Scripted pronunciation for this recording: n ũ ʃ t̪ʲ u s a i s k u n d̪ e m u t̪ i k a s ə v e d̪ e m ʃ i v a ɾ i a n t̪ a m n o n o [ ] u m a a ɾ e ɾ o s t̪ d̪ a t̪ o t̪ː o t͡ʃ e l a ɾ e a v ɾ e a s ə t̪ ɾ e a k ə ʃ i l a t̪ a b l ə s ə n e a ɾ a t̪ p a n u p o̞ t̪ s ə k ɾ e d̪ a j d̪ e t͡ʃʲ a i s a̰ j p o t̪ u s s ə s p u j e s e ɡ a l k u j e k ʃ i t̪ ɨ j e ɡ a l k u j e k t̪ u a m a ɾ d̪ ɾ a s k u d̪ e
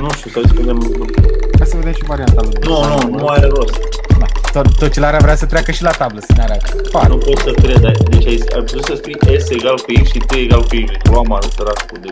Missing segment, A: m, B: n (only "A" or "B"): B